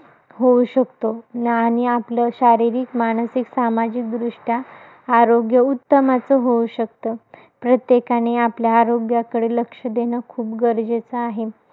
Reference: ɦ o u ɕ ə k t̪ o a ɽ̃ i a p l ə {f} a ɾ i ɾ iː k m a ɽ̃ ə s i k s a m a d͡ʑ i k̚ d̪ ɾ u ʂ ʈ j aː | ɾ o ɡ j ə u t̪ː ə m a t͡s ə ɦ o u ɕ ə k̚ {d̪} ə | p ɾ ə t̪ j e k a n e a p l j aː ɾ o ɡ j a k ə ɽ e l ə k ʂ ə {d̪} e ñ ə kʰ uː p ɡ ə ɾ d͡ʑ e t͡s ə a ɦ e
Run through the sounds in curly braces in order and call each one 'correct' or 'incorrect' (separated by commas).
incorrect, incorrect, correct